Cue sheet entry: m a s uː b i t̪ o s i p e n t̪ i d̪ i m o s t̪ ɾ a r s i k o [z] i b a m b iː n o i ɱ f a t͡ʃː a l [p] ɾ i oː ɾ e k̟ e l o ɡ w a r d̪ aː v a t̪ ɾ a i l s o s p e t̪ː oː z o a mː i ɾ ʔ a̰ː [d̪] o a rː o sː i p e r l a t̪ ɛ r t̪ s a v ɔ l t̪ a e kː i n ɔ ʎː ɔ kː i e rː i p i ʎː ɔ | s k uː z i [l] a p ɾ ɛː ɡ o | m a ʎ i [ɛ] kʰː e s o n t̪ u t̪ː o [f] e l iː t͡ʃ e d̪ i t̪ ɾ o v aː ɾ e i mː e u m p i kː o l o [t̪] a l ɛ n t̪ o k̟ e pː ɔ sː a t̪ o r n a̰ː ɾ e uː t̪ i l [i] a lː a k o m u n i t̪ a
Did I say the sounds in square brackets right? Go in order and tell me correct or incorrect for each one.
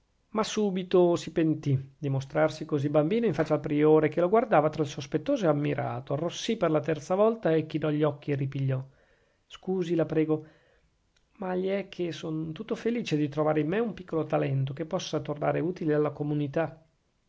correct, correct, incorrect: t̪, correct, correct, correct, correct, incorrect: e

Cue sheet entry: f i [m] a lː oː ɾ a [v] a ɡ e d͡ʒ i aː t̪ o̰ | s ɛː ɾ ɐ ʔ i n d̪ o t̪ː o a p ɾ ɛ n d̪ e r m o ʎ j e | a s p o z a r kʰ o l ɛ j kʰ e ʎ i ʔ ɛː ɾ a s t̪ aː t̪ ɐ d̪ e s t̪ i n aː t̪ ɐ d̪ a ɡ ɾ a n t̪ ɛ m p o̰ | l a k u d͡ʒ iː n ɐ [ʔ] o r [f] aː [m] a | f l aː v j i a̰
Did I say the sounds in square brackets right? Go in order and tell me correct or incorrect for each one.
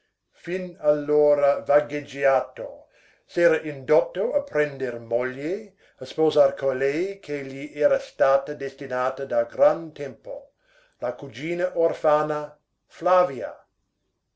incorrect: n, correct, correct, correct, incorrect: n

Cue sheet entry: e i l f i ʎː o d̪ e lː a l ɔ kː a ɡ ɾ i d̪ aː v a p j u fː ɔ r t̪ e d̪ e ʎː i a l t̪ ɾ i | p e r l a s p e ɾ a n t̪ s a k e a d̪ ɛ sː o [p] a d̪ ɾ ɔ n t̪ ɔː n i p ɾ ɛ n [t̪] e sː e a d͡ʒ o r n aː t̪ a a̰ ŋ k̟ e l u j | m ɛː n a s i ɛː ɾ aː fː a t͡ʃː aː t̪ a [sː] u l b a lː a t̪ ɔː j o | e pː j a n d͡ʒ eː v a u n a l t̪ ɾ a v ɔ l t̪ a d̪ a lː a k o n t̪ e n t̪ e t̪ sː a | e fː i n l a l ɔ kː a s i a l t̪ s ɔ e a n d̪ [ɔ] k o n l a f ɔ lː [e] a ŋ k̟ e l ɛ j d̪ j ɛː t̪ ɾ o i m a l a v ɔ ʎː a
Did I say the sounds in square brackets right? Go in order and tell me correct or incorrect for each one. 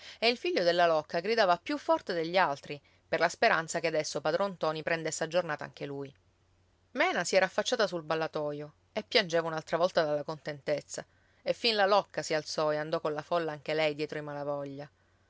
correct, incorrect: d̪, incorrect: s, correct, incorrect: a

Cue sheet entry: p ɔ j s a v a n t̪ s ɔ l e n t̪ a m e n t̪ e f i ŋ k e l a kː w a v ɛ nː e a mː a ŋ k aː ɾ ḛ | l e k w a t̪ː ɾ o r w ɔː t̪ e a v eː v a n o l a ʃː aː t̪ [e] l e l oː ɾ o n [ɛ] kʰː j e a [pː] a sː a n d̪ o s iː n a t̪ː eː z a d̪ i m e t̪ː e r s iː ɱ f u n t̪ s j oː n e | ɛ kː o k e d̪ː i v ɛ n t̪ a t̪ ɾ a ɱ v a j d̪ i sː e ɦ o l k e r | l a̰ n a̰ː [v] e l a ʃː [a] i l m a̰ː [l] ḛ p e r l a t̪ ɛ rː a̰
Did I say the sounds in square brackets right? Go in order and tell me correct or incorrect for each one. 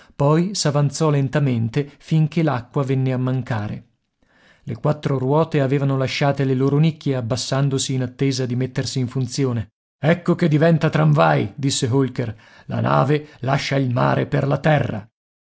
correct, incorrect: i, incorrect: bː, correct, correct, incorrect: ɾ

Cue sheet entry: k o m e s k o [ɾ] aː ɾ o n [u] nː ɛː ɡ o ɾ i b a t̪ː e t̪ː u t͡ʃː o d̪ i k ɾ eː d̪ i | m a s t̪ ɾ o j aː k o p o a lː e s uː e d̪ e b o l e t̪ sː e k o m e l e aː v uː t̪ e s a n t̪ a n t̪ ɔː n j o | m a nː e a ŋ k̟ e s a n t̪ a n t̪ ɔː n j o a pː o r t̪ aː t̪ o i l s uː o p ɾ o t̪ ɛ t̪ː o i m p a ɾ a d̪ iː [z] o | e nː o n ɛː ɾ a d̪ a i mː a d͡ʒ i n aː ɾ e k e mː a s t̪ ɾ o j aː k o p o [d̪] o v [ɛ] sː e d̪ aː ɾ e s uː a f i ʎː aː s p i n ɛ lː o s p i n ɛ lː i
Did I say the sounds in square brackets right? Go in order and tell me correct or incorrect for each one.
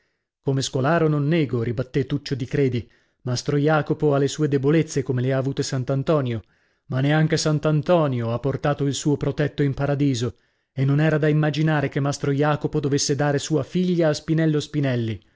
incorrect: l, incorrect: o, correct, correct, incorrect: e

